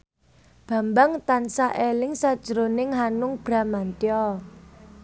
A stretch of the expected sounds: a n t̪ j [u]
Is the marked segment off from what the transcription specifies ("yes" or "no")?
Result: yes